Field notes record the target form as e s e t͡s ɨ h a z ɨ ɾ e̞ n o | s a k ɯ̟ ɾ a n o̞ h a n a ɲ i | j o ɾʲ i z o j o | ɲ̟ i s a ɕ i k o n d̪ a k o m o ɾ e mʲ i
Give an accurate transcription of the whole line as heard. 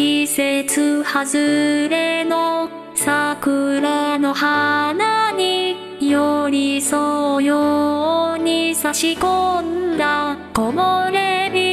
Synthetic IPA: i s e t͡s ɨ h a z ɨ ɾ e̞ n o | s a k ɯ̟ ɾ a n o̞ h a n a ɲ i | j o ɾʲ i s o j o | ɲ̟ i s a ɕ i k o n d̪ a k o m o ɾ e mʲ i